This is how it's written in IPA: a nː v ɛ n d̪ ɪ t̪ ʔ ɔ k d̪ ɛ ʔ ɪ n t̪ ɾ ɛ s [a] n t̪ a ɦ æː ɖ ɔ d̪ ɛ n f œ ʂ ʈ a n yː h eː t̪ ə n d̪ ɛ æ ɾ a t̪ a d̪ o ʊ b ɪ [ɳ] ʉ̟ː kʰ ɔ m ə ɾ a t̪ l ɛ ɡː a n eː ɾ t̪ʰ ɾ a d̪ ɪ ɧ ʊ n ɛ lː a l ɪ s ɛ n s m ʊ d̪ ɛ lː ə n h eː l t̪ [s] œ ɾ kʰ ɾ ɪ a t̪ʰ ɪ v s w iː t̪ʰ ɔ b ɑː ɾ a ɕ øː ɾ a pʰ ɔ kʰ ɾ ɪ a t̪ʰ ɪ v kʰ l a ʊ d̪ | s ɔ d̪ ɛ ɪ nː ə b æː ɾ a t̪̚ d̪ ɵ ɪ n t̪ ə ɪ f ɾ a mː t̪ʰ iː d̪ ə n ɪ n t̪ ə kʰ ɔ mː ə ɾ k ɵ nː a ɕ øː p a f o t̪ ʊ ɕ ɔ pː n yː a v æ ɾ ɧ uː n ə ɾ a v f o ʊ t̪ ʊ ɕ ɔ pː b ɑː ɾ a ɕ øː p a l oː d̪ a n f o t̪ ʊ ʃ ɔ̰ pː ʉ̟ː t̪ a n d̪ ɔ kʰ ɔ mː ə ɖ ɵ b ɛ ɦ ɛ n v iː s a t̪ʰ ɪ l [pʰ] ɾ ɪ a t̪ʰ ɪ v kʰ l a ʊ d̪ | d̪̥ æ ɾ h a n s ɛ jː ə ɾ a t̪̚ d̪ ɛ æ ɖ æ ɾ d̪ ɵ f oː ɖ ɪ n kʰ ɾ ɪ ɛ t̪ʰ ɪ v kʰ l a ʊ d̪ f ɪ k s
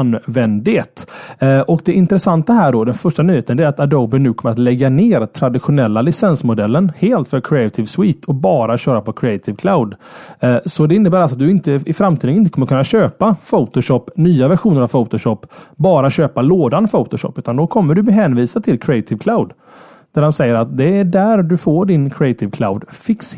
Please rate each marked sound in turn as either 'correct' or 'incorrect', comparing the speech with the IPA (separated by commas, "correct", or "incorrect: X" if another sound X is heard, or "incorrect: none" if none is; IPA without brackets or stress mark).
correct, incorrect: n, incorrect: f, incorrect: kʰ